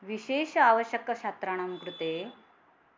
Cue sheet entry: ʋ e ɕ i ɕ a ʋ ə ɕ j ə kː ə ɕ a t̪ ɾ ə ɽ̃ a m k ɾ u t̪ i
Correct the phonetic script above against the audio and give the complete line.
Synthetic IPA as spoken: ʋ i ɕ e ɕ a ʋ ə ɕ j ə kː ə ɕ a t̪ ɾ a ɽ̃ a m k ɾ u t̪ e